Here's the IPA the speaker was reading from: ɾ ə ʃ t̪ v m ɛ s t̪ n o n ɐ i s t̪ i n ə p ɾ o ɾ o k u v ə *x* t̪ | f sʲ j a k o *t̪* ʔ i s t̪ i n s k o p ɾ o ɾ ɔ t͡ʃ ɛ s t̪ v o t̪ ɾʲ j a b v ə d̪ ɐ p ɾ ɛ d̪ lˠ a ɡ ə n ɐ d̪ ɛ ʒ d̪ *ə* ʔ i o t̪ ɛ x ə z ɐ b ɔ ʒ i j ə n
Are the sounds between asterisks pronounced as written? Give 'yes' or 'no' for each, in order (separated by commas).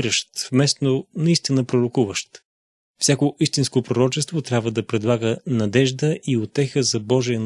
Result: no, no, yes